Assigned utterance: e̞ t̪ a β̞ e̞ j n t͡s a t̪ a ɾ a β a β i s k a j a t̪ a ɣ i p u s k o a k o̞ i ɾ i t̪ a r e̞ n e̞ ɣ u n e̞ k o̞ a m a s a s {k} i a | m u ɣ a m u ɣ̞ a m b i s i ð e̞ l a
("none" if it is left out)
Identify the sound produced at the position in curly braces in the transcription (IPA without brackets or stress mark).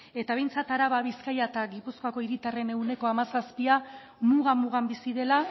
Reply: p